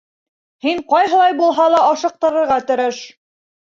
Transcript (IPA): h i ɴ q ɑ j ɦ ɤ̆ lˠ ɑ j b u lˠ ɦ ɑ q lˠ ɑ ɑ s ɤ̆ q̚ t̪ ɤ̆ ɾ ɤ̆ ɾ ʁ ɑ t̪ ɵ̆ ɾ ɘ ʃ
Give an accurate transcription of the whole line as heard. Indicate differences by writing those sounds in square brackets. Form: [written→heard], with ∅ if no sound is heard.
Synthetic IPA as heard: h i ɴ q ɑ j ɦ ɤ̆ lˠ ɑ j b u lˠ ɦ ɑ [q→∅] lˠ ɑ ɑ [s→ʃ] ɤ̆ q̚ t̪ ɤ̆ ɾ ɤ̆ ɾ ʁ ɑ t̪ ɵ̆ ɾ ɘ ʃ